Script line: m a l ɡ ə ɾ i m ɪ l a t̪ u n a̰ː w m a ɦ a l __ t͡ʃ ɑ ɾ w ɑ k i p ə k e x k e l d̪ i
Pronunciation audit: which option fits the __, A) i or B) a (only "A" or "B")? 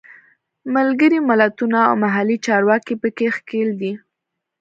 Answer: A